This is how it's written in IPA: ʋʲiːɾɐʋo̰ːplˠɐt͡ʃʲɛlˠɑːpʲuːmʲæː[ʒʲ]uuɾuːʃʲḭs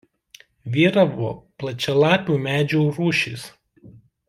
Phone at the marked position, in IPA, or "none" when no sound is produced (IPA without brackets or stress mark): d͡ʒʲ